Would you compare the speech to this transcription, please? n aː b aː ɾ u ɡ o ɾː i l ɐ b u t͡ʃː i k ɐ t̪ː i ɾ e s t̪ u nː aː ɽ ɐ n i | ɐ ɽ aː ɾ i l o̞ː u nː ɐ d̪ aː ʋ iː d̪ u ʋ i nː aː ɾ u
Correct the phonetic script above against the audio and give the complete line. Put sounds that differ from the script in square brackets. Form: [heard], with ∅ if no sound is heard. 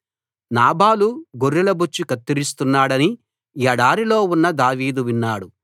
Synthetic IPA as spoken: n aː b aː [l] u ɡ o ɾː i l ɐ b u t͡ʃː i k ɐ t̪ː i ɾ [i] s t̪ u nː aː ɽ ɐ n i | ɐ ɽ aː ɾ i l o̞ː u nː ɐ d̪ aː ʋ iː d̪ u ʋ i nː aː [ɽ] u